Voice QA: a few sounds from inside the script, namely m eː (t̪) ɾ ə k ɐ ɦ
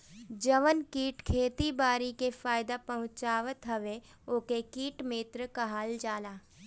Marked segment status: correct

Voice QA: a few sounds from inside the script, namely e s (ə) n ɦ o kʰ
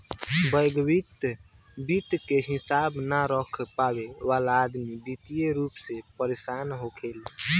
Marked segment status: incorrect: a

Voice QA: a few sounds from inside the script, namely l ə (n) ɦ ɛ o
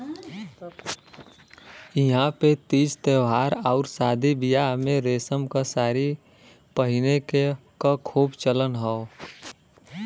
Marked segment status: correct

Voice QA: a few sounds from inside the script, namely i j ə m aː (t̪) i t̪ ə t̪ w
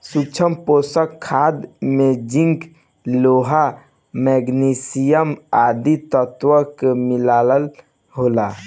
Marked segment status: incorrect: d̪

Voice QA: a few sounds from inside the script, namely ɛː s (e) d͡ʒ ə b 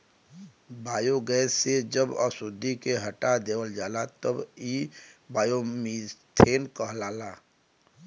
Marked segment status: correct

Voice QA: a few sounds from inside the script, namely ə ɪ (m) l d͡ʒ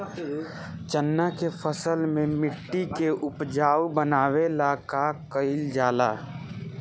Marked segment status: incorrect: none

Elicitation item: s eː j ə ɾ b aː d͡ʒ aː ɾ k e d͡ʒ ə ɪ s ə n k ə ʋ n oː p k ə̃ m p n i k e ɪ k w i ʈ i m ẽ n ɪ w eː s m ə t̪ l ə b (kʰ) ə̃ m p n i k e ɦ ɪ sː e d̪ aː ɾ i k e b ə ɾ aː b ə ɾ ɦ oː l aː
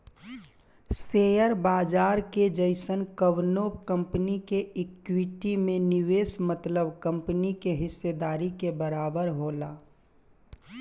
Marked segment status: incorrect: k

